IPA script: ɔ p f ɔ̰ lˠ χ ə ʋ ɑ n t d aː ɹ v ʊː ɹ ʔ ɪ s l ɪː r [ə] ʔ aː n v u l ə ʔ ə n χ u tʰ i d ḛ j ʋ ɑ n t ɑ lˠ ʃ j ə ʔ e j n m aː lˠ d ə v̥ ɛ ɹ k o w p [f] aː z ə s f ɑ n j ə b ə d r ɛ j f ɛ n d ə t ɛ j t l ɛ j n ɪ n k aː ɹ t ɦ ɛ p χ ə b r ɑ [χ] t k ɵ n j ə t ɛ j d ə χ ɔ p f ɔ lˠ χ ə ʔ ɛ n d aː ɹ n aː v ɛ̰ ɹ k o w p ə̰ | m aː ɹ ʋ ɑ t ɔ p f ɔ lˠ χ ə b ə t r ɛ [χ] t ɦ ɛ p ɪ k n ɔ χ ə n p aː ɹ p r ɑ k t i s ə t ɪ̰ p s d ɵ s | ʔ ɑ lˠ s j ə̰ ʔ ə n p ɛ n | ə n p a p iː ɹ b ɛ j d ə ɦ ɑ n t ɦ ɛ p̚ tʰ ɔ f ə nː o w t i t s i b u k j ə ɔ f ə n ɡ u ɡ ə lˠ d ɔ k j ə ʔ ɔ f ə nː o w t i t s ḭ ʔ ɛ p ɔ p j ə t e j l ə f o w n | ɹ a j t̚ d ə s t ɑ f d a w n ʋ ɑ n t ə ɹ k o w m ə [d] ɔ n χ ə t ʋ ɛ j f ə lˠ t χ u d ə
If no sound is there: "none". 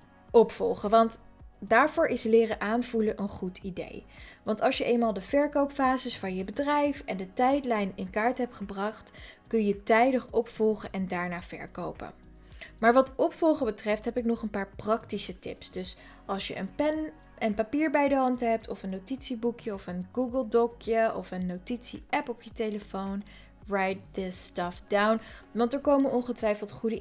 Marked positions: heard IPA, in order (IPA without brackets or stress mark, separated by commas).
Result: ə, f, χ, f, n